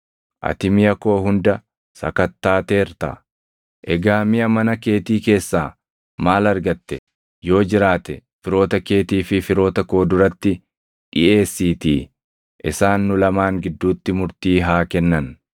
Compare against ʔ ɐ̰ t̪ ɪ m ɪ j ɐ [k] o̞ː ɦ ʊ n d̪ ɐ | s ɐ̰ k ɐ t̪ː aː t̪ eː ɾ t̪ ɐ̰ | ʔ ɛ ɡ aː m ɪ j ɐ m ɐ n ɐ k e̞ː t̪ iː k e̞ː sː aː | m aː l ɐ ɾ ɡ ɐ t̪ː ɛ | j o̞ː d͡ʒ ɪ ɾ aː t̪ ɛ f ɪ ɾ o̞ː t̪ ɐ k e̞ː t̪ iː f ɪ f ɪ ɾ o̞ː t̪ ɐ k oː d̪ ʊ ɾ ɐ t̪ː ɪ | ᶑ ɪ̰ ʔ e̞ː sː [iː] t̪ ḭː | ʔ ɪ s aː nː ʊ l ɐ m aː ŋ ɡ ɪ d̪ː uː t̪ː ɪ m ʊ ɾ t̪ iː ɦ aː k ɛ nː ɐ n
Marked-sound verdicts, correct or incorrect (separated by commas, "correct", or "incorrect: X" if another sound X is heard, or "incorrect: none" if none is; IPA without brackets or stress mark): correct, correct